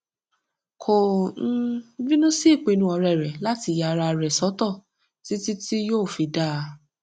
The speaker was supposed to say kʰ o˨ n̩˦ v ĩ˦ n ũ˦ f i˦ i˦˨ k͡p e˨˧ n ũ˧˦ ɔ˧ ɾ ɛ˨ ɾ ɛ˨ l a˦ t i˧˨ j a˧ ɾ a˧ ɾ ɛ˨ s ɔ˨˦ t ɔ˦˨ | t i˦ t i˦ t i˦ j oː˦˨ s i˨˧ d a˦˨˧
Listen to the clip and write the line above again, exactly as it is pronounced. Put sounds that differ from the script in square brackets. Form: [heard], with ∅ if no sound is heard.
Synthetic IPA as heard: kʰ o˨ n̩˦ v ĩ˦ n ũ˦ [s] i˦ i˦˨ k͡p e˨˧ n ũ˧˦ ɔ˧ ɾ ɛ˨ ɾ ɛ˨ l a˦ t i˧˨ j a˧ ɾ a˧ ɾ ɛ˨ s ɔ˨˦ t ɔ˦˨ | t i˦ t i˦ t i˦ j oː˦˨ [f] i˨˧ d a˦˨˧